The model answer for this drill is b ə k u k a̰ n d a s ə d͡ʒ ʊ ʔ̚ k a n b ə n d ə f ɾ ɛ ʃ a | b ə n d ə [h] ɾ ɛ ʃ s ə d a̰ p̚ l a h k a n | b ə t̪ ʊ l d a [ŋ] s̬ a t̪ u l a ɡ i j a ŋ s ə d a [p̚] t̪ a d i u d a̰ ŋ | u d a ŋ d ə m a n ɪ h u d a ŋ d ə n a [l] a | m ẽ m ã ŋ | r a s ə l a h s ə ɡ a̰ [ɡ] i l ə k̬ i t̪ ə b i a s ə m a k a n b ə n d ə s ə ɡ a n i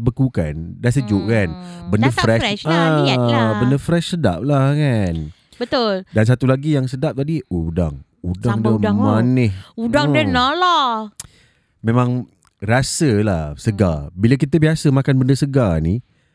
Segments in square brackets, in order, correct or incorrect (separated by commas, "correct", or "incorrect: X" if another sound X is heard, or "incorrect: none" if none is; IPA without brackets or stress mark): incorrect: f, incorrect: n, correct, correct, incorrect: b